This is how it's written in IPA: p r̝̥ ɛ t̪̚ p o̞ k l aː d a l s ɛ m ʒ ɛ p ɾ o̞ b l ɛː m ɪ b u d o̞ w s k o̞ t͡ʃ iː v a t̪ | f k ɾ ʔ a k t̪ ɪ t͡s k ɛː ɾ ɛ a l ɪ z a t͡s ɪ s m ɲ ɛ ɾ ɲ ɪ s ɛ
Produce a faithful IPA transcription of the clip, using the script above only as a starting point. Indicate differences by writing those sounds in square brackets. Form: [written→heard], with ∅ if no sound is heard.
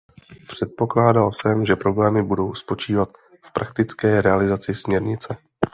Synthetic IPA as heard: p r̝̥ ɛ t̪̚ p o̞ k l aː d a l s ɛ m ʒ ɛ p ɾ o̞ b l ɛː m ɪ b u d o̞ w s [k→p] o̞ t͡ʃ iː v a t̪ | f [k→p] ɾ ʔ a k t̪ ɪ t͡s k ɛː ɾ ɛ a l ɪ z a t͡s ɪ s m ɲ ɛ ɾ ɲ ɪ [s→t͡s] ɛ